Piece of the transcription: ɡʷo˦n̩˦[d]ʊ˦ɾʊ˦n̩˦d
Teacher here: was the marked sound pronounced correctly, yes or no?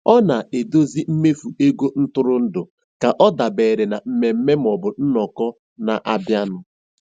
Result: no